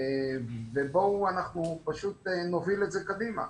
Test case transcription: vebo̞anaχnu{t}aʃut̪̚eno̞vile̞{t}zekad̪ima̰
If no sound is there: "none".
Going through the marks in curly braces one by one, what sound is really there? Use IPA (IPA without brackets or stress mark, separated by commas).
p, t